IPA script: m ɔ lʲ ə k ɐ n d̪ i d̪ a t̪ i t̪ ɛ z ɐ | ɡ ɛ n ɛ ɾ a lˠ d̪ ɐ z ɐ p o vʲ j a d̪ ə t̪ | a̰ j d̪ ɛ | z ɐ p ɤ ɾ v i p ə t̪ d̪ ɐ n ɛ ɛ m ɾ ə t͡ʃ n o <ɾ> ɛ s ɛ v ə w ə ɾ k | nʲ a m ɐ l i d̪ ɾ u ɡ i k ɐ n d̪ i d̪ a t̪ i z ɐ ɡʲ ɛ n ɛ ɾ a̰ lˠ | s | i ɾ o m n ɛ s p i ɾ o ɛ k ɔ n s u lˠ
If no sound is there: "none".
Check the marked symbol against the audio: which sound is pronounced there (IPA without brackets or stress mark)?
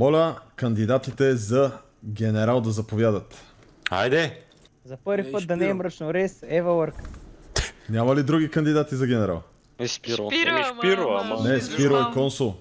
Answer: ɾ